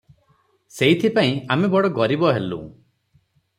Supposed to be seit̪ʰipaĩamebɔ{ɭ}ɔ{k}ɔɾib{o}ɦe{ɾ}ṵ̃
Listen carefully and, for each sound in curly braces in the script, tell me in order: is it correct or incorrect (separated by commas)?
incorrect, incorrect, incorrect, incorrect